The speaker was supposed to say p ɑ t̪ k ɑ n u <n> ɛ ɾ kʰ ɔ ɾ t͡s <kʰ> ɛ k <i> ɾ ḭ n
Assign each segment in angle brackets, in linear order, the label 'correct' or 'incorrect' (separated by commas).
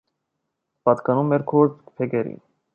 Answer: incorrect, incorrect, incorrect